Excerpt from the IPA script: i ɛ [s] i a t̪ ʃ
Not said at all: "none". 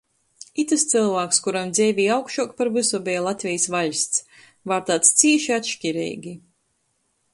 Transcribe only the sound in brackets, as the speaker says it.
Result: ʃ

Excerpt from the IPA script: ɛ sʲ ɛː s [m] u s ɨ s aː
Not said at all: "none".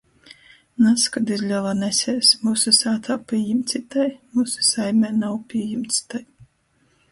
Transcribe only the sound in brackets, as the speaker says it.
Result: m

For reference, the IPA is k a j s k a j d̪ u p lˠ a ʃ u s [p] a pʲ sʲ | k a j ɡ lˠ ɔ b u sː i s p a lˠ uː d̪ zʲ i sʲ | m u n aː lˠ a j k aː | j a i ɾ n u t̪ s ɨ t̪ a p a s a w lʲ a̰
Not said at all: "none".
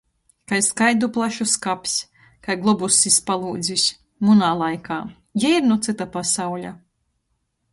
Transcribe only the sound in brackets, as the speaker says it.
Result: k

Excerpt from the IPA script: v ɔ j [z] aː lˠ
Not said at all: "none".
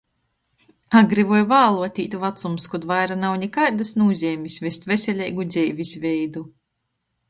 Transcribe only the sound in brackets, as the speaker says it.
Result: v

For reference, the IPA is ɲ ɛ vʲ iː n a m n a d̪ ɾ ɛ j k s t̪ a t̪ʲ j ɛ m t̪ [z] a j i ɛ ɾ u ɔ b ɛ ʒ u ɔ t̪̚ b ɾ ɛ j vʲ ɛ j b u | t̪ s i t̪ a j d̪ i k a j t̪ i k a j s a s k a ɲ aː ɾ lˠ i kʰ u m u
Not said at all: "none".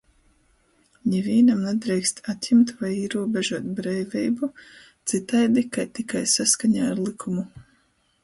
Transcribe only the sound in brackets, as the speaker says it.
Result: v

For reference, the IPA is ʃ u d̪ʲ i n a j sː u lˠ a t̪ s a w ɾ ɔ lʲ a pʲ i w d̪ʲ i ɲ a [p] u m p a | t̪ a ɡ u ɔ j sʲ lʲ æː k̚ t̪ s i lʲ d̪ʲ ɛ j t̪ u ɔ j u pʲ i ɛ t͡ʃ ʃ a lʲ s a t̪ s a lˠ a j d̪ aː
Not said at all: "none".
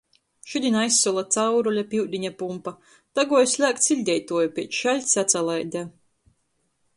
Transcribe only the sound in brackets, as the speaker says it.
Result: p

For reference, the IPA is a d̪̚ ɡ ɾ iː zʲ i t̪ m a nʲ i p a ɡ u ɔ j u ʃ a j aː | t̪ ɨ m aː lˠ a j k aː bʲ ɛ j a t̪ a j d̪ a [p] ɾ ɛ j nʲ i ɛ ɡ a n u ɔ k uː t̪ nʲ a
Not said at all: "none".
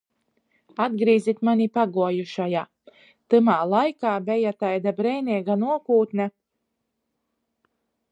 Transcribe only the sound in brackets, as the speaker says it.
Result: b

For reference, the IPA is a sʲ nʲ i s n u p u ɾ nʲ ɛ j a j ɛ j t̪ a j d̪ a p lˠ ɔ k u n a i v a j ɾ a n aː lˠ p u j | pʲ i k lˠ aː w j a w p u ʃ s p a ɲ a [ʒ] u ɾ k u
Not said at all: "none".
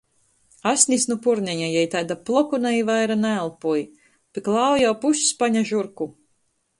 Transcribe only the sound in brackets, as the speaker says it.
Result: ʒ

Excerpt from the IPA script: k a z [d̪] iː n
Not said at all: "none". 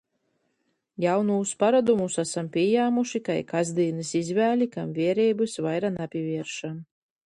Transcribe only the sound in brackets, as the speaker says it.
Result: d̪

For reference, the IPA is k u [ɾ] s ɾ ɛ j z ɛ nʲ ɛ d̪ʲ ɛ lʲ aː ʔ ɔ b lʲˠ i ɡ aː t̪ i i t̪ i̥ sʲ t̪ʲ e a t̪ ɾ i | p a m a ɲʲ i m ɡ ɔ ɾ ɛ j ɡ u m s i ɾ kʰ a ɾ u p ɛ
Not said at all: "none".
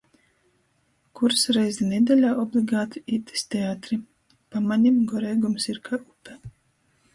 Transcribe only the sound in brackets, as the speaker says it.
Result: ɾ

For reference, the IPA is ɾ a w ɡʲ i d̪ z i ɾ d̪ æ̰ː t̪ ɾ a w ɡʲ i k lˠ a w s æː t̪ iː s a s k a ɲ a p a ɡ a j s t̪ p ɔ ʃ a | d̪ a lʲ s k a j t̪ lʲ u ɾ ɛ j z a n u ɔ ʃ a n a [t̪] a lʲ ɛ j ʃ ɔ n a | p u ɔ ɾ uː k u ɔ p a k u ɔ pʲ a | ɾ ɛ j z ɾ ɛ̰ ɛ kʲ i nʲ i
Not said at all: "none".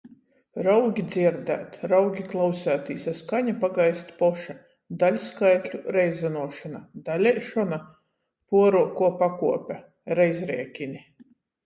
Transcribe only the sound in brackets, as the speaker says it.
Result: d̪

